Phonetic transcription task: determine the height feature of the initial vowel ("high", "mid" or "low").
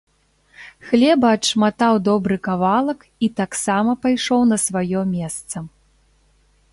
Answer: mid